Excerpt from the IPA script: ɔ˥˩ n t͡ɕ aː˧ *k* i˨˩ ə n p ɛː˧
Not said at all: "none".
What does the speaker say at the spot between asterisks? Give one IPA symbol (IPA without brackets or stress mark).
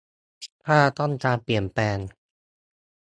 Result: p